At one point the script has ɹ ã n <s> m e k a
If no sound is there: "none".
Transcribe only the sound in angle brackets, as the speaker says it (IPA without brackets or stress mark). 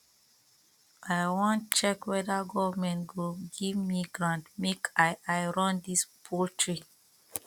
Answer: t